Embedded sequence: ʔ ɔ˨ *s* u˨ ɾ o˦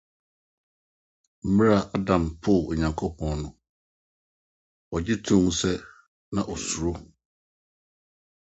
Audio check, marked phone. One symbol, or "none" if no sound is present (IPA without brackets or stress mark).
s